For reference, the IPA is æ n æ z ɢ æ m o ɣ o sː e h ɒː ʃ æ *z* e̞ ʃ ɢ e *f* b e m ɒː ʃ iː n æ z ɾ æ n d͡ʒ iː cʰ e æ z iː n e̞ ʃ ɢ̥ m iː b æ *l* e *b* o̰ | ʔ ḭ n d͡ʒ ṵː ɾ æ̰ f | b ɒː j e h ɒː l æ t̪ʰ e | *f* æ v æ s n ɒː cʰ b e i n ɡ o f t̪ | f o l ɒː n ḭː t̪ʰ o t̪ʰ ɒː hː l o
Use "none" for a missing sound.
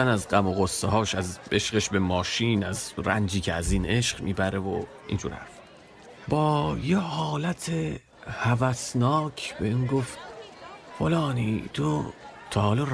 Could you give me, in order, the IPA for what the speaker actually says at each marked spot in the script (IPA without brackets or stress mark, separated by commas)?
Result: z, ʃ, ɾ, v, h